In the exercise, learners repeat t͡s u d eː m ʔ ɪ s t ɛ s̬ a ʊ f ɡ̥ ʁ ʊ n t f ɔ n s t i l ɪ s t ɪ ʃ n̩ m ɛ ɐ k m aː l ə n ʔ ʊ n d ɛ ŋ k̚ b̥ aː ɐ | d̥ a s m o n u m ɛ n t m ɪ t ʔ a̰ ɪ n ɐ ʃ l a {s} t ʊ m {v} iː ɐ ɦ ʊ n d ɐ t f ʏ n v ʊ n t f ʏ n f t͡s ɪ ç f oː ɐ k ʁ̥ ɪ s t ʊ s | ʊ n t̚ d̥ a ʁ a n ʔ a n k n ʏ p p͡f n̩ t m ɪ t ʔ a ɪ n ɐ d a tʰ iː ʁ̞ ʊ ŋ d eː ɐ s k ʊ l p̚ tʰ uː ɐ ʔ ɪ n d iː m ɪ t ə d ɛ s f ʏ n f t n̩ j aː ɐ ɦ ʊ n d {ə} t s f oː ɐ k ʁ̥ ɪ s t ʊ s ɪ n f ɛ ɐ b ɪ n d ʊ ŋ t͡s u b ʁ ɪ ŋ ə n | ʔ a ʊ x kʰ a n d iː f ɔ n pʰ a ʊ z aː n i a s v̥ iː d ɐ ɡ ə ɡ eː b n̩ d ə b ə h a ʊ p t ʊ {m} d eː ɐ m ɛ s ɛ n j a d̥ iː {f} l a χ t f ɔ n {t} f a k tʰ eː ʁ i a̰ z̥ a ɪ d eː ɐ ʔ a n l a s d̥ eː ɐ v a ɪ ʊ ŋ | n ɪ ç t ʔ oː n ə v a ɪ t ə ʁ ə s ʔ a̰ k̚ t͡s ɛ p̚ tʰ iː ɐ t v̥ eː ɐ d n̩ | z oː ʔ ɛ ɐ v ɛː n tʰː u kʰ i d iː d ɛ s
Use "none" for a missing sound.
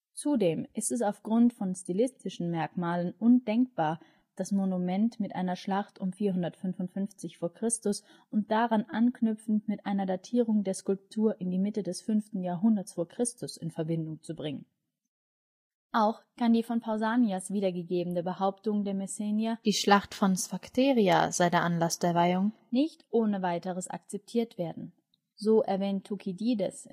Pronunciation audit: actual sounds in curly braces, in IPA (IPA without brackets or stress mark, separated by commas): χ, f, ɐ, ŋ, ʃ, s